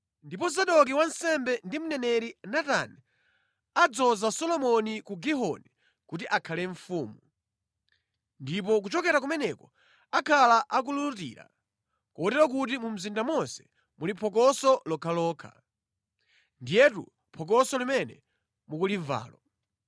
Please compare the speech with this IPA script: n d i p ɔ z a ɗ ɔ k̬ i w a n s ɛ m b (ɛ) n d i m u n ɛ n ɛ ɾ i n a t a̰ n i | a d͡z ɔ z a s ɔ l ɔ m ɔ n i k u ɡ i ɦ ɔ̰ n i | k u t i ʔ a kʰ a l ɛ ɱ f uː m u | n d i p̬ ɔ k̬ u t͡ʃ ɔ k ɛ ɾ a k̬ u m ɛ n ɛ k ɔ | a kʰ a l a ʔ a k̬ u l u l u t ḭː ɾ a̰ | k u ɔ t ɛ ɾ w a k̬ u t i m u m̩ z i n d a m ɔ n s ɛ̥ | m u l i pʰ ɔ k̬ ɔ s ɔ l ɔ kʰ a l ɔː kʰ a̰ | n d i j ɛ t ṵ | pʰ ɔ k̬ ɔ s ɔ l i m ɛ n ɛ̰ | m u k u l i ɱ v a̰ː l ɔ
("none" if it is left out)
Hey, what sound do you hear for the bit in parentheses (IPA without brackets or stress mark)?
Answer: ɛ